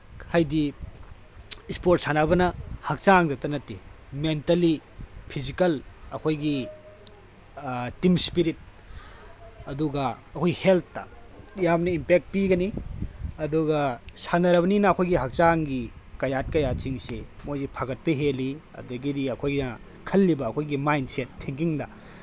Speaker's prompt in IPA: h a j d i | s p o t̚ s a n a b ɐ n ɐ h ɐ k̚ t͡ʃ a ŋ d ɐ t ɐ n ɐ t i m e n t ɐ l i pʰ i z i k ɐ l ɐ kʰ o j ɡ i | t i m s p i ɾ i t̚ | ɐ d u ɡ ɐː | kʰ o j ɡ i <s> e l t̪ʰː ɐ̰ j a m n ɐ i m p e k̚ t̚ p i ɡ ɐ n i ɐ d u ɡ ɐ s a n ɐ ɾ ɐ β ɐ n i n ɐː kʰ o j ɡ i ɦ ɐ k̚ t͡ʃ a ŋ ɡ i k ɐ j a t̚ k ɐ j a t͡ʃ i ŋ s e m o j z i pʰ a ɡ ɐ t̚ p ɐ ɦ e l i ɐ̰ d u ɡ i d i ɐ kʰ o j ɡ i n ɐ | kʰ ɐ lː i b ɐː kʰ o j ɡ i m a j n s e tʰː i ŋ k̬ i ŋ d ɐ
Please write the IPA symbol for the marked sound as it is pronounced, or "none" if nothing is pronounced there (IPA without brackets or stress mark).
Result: h